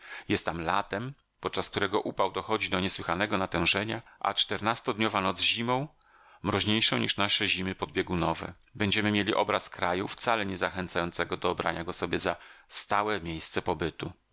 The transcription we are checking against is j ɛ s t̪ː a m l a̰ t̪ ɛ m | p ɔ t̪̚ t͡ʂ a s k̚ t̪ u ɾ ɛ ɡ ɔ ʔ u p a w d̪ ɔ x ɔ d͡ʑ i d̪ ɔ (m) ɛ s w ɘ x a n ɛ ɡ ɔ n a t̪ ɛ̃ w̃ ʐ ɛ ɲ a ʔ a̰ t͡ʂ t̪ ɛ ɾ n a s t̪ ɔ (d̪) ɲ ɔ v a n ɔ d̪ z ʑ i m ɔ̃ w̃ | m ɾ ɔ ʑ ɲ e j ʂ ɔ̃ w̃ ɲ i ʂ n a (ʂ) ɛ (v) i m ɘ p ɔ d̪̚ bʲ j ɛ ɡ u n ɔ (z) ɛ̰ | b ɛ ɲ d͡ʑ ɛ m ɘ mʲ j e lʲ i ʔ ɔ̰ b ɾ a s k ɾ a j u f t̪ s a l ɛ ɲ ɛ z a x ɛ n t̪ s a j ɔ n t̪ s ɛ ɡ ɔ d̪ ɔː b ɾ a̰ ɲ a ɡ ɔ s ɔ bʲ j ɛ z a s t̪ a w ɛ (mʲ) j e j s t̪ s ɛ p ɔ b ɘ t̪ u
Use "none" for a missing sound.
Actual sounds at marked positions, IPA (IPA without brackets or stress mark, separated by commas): ɲ, d̪, ʂ, ʑ, v, mʲ